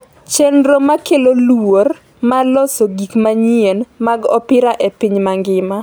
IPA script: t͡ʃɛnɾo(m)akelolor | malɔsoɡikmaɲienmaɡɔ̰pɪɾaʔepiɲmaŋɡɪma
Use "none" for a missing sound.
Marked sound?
m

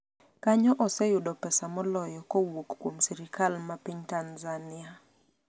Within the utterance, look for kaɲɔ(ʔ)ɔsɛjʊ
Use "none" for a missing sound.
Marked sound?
ʔ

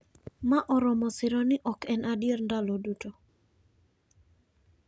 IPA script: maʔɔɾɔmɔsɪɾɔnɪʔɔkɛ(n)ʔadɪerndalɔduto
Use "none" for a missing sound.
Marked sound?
n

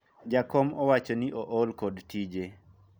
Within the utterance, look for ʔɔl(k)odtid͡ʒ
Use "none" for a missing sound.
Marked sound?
k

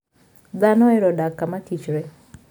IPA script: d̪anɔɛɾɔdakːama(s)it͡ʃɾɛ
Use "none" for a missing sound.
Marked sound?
t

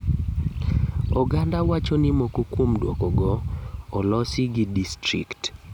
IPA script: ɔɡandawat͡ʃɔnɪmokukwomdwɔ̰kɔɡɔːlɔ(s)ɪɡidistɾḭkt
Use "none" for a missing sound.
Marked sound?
s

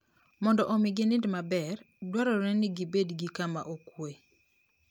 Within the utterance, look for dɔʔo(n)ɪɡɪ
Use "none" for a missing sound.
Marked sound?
m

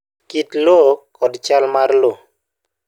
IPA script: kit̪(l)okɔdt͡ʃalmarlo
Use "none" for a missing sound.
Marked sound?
l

